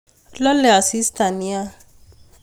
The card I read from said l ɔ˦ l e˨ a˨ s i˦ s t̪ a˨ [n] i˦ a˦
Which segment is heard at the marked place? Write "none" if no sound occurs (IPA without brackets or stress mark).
n